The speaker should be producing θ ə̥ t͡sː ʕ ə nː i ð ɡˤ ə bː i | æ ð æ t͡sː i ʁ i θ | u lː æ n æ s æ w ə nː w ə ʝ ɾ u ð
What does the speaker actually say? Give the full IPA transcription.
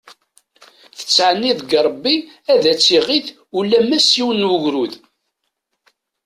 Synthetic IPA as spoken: θ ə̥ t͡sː ʕ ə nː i ð ɡˤ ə bː i | æ ð æ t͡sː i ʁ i θ | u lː æ m æ s i w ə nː w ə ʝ ɾ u ð